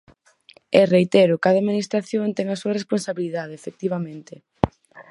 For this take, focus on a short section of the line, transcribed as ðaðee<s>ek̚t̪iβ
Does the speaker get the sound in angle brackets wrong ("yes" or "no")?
yes